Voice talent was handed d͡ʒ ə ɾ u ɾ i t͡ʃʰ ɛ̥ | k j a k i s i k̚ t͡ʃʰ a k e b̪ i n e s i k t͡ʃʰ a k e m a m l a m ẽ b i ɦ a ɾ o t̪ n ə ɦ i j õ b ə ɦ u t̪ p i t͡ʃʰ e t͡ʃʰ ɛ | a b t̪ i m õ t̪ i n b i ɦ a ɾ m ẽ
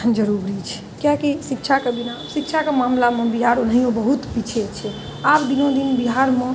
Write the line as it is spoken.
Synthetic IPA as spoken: d͡ʒ ə ɾ u ɾ i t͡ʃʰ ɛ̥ | k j a k i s i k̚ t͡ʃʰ a k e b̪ i n a s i k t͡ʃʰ a k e m a m l a m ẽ b i ɦ a ɾ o n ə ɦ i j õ b ə ɦ u t̪ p i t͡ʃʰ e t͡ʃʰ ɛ | a b d̪ i n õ d̪ i n b i ɦ a ɾ m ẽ